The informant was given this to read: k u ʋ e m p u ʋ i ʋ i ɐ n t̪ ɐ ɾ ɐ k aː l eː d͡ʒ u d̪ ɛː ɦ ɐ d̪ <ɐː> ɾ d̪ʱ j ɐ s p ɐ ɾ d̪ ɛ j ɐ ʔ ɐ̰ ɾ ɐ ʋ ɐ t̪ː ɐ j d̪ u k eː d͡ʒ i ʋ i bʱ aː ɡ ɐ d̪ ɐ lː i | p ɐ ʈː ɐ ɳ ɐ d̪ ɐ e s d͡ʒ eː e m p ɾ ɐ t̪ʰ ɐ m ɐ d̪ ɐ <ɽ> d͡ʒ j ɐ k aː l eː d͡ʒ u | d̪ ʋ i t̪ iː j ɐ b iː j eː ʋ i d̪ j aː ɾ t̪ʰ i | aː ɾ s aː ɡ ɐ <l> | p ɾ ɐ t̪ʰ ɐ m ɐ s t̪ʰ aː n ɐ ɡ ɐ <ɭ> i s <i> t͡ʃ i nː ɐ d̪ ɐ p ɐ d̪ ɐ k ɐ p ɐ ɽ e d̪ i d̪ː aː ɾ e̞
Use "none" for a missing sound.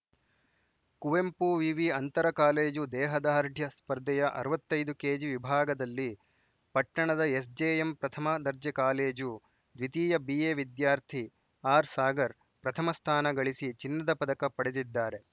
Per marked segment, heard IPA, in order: aː, ɾ, ɾ, ɭ, i

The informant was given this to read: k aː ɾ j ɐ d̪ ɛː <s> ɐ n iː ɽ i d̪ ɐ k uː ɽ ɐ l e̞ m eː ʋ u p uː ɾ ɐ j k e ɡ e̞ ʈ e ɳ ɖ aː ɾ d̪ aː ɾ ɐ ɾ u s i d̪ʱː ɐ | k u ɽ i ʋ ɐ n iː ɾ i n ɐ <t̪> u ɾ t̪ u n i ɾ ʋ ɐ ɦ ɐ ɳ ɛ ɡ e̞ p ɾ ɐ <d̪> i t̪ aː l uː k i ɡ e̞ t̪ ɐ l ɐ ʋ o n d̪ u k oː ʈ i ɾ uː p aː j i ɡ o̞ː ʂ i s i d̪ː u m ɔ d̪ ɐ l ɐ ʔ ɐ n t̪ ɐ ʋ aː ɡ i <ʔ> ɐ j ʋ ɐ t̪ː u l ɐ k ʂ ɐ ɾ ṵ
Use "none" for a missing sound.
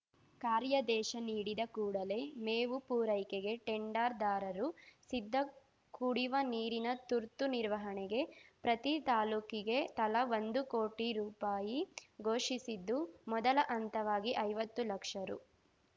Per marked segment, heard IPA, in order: ʃ, t̪, t̪, ʔ

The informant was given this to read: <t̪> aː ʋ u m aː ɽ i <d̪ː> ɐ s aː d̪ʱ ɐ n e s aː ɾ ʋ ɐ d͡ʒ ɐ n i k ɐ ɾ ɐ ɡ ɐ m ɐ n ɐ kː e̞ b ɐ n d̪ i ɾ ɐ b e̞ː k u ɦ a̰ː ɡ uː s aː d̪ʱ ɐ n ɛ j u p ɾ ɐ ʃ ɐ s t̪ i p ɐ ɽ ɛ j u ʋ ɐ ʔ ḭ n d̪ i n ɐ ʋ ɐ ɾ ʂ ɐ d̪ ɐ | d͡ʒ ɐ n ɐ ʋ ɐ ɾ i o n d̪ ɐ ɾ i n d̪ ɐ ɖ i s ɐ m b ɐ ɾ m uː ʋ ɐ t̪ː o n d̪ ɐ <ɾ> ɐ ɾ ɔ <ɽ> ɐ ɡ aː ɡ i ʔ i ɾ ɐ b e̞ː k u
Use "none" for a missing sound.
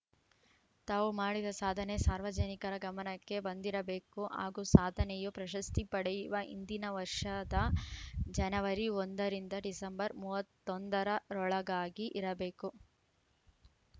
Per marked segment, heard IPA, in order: t̪, d̪, ɾ, ɭ

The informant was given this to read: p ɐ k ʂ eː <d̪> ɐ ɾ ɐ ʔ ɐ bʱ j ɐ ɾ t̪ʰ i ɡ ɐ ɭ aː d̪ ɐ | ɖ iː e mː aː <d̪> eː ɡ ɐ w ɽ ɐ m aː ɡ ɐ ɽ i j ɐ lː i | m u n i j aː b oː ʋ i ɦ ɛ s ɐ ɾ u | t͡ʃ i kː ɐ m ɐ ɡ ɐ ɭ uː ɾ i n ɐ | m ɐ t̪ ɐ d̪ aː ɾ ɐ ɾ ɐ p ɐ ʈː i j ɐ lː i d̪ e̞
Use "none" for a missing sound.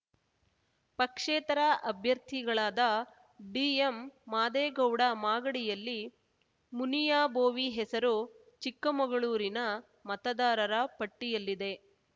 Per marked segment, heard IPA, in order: t̪, d̪

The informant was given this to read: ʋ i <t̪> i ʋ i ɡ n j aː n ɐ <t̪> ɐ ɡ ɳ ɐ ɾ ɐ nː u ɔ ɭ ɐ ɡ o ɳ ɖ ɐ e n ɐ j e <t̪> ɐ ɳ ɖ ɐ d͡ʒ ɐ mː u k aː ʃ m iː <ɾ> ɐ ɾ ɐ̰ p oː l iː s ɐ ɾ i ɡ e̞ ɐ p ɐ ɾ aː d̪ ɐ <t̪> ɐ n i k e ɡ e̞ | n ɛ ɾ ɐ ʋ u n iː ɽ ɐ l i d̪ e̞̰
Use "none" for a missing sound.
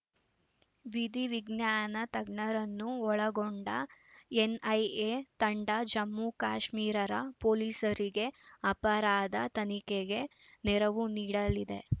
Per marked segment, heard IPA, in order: d̪, t̪, t̪, ɾ, t̪

